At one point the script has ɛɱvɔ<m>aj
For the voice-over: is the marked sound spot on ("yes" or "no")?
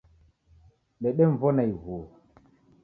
no